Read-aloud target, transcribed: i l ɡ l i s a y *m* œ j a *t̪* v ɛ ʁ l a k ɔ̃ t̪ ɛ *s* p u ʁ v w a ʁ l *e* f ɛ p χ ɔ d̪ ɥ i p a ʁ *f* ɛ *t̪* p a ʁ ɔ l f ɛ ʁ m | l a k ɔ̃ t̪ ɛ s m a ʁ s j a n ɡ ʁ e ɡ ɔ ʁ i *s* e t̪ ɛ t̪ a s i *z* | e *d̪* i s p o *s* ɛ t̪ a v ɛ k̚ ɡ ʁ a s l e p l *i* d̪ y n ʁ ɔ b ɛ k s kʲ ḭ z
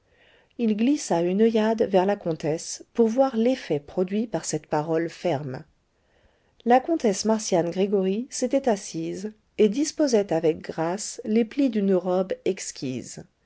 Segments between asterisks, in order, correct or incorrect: incorrect: n, incorrect: d̪, correct, correct, incorrect: s, correct, correct, correct, correct, incorrect: z, correct

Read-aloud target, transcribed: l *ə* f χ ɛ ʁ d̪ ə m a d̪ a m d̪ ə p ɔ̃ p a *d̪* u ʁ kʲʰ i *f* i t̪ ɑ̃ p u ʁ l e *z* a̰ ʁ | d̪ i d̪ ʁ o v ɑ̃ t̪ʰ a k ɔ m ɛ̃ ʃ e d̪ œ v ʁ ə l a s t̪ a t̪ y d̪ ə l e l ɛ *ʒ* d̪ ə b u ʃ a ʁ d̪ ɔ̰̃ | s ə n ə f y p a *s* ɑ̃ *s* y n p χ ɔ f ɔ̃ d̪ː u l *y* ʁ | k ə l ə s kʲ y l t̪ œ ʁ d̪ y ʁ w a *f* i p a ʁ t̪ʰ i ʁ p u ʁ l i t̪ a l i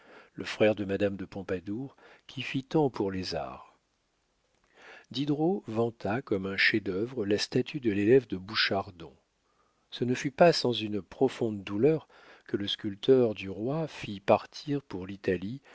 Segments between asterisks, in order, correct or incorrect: correct, correct, correct, correct, incorrect: v, correct, incorrect: z, incorrect: œ, correct

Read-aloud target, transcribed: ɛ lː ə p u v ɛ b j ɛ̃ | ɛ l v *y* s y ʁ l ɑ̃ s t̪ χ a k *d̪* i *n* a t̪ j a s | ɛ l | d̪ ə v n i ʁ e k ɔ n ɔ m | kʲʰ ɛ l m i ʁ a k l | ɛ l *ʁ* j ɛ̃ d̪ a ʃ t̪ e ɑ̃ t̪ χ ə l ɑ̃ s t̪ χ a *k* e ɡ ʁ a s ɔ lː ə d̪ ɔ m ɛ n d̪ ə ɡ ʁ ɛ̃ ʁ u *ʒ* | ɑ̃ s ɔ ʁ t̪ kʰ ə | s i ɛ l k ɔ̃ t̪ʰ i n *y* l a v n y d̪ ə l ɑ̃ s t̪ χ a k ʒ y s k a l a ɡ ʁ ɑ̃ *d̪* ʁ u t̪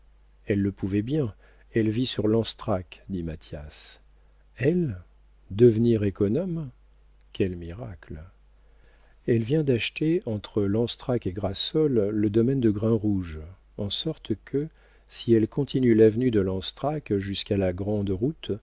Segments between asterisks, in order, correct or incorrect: incorrect: i, correct, incorrect: m, incorrect: v, correct, correct, correct, correct

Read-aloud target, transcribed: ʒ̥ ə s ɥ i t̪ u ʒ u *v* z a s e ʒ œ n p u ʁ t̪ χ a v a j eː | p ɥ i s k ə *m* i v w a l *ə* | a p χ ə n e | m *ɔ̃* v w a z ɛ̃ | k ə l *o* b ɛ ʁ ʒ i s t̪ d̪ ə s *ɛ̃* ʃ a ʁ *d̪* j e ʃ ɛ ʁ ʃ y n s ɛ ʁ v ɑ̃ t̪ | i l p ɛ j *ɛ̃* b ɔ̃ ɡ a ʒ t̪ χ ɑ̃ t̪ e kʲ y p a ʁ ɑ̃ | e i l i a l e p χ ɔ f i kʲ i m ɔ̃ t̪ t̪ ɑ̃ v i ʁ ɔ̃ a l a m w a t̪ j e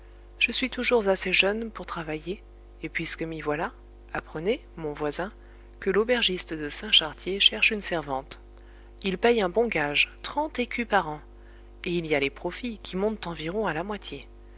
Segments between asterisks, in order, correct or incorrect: incorrect: ʁ, correct, incorrect: a, correct, correct, correct, incorrect: t̪, correct

